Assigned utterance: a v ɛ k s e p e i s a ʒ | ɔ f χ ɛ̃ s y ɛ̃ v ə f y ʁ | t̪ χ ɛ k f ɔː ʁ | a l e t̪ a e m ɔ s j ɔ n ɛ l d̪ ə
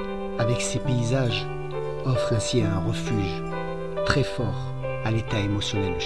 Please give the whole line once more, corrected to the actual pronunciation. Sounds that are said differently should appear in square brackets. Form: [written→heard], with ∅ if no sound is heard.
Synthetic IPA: a v ɛ k s e p e i [s→z] a ʒ | ɔ f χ ɛ̃ s [y→i] ɛ̃ [v→ʁ] ə f y [ʁ→ʒ] | t̪ χ ɛ [k→∅] f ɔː ʁ | a l e t̪ a e m ɔ s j ɔ n ɛ l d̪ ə